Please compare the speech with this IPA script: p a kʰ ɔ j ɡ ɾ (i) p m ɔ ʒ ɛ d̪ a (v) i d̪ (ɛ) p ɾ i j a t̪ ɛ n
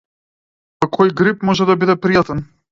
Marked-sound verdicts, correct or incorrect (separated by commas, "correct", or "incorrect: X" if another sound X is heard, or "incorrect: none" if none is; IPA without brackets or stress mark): correct, incorrect: b, correct